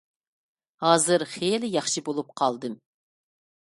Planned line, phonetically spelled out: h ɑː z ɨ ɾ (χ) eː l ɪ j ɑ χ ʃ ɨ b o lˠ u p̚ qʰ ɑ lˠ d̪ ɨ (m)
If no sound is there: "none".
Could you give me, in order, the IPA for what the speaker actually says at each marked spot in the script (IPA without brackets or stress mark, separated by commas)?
χ, m